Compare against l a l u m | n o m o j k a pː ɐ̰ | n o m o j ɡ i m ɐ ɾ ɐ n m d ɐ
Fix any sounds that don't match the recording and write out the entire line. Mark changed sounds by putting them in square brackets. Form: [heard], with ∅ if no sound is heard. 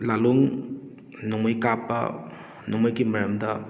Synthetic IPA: l a l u [ŋ] | n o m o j k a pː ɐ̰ | n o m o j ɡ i m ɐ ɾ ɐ [∅] m d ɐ